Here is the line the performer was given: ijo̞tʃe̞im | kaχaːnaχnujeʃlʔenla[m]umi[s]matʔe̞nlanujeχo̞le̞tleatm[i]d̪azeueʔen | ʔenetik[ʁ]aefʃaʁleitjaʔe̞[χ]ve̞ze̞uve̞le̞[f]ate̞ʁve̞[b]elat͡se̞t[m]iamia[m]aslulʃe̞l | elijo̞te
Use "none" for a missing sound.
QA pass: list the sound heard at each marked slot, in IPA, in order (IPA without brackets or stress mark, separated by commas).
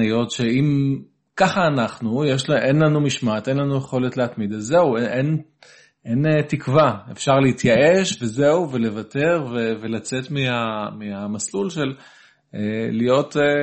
n, ʃ, i, v, ʃ, v, v, m, m